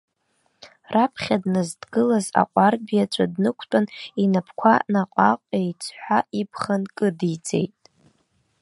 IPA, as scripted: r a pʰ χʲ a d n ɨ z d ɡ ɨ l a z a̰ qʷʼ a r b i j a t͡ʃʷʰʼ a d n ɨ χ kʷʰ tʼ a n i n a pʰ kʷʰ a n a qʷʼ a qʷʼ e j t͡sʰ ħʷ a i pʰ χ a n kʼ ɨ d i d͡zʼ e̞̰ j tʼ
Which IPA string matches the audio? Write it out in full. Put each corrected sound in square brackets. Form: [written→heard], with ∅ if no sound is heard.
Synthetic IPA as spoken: r a pʰ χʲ a d n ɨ z d ɡ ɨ l a z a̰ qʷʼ a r b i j a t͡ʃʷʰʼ a d n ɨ [χ→∅] kʷʰ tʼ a n i n a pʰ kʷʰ a n a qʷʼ a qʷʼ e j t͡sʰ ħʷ a i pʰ χ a n kʼ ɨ d i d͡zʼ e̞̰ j tʼ